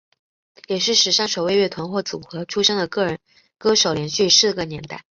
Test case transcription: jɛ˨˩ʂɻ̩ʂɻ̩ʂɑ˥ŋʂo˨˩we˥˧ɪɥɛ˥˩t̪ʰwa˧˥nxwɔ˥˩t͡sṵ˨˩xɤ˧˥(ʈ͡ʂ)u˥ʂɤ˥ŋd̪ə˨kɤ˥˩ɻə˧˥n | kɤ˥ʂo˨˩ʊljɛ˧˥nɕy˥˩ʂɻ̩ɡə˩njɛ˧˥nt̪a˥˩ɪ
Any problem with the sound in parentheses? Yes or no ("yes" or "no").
yes